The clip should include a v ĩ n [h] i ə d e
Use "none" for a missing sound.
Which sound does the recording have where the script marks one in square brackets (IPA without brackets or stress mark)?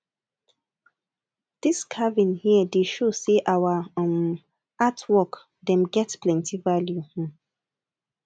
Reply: h